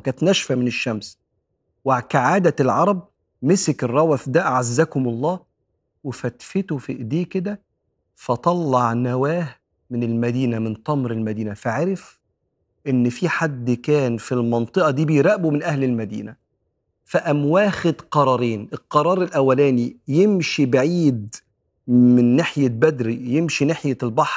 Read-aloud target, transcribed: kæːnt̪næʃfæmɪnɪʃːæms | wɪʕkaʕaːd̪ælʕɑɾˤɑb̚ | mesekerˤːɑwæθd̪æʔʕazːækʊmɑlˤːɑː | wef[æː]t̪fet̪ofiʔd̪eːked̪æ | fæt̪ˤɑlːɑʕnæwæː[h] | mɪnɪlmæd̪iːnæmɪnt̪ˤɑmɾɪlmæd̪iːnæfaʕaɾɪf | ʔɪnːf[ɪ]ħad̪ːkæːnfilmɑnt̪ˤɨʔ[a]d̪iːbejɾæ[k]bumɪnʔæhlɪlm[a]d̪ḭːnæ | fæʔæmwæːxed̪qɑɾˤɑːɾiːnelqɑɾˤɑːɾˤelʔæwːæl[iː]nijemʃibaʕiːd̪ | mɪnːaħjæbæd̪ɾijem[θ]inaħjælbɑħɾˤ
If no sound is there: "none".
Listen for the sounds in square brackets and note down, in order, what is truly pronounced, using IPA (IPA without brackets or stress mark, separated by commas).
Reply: æ, h, i, ɑ, ʔ, æ, æː, ʃ